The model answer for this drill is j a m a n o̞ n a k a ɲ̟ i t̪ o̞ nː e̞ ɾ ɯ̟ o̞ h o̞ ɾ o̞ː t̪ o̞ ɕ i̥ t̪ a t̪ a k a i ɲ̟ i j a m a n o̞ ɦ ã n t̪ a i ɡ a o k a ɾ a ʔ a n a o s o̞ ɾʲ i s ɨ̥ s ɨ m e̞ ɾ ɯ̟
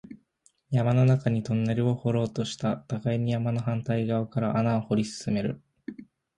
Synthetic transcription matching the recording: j a m a n o̞ n a k a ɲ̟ i t̪ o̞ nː e̞ ɾ ɯ̟ o̞ h o̞ ɾ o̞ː t̪ o̞ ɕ i̥ t̪ a t̪ a k a i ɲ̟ i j a m a n o̞ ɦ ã n t̪ a i ɡ a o k a ɾ a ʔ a n a o h o̞ ɾʲ i s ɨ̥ s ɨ m e̞ ɾ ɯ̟